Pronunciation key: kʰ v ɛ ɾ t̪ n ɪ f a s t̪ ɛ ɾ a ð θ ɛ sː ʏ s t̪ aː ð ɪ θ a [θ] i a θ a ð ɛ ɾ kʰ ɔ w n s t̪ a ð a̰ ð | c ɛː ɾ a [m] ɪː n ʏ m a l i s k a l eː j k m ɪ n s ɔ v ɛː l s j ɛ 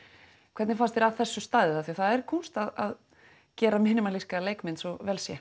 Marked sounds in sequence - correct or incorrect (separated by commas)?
correct, correct